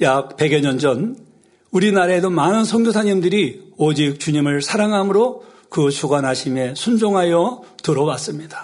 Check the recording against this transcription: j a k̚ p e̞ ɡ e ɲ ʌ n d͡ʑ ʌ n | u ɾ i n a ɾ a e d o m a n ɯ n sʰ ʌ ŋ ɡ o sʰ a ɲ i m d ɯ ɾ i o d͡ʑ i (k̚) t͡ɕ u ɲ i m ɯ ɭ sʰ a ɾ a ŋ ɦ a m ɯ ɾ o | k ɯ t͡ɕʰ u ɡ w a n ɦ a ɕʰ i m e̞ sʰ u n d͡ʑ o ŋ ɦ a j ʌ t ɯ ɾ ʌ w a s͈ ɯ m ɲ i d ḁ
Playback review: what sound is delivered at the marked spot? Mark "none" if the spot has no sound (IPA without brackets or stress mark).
k̚